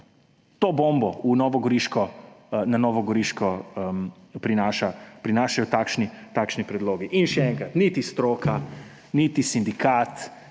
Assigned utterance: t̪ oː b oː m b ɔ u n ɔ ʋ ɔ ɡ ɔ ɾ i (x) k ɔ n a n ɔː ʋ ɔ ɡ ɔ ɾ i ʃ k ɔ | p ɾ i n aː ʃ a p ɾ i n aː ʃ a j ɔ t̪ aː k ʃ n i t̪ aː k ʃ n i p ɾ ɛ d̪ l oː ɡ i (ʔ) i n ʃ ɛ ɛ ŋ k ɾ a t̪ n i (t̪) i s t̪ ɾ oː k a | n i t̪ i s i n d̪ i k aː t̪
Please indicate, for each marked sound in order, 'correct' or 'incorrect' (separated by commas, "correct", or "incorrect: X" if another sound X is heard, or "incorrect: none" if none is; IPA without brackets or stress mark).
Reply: incorrect: ʃ, correct, correct